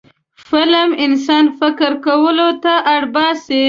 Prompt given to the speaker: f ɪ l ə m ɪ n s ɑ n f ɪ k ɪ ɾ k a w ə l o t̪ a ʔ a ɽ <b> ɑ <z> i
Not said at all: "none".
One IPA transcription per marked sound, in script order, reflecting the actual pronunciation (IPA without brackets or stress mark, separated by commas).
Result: b, s